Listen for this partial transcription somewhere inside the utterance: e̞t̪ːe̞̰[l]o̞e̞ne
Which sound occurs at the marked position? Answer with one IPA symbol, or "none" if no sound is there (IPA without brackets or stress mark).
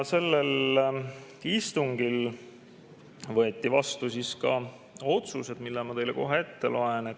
l